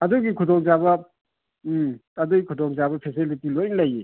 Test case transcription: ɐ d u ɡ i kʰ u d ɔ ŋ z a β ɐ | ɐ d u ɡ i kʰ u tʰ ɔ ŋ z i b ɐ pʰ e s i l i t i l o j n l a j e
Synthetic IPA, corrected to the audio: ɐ d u ɡ i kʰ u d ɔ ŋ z a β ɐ | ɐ d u ɡ i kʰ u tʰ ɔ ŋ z a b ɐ pʰ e s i l i t i l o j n l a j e